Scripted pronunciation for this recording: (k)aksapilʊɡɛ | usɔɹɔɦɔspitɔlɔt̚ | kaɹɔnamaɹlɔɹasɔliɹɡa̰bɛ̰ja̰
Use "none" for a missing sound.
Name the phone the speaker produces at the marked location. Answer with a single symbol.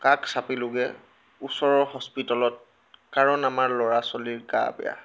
k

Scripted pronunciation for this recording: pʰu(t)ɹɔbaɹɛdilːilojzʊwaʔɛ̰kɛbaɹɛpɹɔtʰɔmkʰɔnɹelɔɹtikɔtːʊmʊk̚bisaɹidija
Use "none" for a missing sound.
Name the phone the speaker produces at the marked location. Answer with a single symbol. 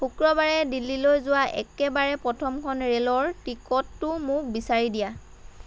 k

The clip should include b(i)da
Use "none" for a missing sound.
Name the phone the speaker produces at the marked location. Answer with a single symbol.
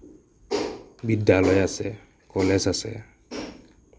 i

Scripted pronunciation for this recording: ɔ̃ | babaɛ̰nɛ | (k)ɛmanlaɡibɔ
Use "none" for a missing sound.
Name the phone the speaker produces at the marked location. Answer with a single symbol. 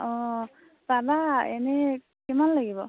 k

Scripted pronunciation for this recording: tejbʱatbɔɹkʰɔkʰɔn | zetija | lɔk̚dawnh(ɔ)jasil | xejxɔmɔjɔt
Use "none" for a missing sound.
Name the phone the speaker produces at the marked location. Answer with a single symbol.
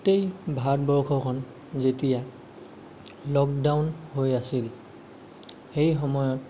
o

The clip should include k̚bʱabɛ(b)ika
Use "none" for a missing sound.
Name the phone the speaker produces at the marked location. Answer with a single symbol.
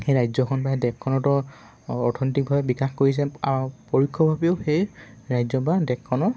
b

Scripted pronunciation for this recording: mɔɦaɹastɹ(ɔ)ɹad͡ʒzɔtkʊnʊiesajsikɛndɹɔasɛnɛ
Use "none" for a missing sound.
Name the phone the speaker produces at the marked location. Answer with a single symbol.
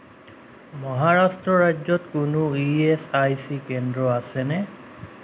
ɔ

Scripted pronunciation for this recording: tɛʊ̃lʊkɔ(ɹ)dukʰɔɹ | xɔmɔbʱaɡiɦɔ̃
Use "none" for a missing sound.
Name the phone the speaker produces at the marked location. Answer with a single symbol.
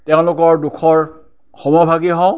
ɹ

